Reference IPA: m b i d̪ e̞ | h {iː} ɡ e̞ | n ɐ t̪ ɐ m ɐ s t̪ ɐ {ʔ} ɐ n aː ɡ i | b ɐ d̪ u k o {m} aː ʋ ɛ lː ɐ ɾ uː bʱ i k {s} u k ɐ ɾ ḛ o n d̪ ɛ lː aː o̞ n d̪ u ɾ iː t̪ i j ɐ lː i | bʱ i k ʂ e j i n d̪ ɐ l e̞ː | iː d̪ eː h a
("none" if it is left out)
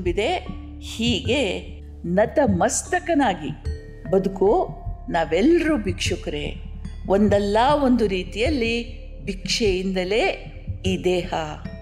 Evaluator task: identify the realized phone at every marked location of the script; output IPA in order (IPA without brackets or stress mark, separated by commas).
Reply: iː, k, n, ʂ